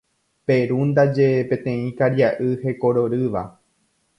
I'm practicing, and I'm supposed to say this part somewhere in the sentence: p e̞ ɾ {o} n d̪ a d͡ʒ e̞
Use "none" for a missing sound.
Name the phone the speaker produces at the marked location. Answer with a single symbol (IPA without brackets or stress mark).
u